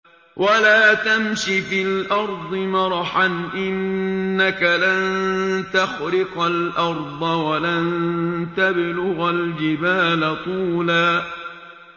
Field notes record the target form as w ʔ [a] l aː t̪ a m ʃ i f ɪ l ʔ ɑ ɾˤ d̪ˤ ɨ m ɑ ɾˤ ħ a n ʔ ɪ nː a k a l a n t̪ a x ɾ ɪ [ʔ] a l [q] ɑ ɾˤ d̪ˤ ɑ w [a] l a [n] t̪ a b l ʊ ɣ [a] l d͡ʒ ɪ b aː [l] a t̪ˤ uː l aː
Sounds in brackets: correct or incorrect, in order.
correct, incorrect: q, incorrect: ʔ, correct, correct, correct, correct

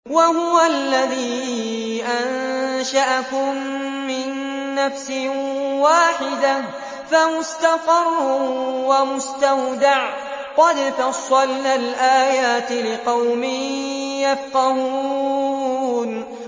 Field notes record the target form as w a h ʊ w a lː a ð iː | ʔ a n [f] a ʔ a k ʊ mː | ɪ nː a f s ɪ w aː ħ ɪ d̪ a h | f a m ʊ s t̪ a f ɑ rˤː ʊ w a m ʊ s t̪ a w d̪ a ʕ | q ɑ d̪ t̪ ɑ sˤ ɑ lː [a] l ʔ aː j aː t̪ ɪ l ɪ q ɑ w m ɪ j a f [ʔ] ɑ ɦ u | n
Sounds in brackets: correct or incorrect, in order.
incorrect: ʃ, correct, incorrect: q

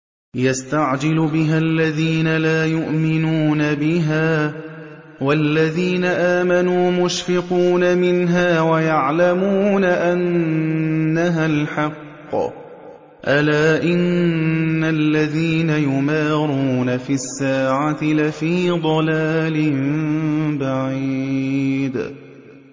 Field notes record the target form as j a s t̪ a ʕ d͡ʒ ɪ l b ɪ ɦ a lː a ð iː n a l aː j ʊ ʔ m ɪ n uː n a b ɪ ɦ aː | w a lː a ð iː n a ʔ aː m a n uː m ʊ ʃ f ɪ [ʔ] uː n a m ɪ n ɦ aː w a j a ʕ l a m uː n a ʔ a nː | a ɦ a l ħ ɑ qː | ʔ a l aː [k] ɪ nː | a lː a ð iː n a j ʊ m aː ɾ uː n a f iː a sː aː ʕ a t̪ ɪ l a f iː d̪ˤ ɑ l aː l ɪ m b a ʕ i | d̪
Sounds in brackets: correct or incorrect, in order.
incorrect: q, incorrect: ʔ

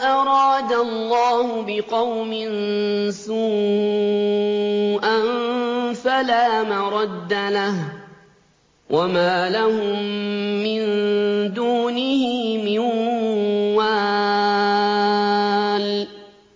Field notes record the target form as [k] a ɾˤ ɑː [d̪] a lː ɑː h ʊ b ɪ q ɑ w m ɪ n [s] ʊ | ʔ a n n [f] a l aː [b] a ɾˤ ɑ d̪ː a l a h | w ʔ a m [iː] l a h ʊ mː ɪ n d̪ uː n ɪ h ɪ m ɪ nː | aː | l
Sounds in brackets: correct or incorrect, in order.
incorrect: ʔ, correct, correct, correct, incorrect: m, incorrect: aː

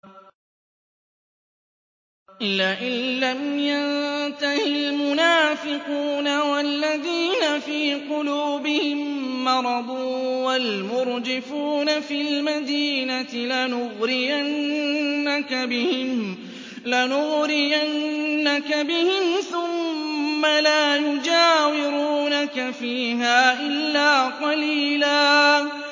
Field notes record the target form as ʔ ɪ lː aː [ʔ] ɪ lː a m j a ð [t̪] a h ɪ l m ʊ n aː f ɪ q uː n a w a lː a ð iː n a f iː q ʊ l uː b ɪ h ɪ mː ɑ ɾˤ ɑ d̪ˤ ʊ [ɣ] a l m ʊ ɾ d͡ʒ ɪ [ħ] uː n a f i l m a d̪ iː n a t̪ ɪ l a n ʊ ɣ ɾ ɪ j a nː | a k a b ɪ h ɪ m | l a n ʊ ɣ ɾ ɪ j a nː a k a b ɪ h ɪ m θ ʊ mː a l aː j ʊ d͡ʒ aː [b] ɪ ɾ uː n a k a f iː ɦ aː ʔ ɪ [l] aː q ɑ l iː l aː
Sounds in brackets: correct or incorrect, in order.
correct, correct, incorrect: w, incorrect: f, incorrect: w, incorrect: lː

